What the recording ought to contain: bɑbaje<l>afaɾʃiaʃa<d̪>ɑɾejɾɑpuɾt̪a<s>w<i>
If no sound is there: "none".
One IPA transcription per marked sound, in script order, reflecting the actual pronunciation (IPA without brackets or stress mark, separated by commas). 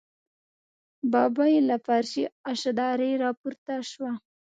l, d̪, ʃ, a